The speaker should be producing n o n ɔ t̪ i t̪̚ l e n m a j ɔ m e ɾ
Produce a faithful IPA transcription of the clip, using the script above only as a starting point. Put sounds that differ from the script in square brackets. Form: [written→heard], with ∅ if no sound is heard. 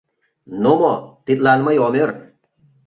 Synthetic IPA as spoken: n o [n→m] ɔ t̪ i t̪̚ l [e→a] n m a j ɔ m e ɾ